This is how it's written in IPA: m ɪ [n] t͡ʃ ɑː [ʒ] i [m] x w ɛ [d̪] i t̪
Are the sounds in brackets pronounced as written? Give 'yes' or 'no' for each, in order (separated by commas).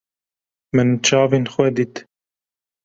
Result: yes, no, no, yes